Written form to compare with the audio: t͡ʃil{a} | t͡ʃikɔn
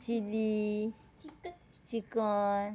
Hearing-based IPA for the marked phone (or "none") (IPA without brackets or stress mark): i